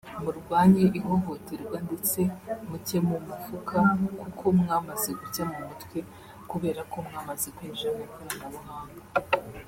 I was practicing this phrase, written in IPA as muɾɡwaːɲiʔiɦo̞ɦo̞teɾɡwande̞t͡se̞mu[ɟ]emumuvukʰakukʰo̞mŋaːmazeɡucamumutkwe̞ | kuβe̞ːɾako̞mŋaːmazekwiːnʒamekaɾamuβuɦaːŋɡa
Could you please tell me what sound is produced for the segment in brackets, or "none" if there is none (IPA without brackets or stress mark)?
c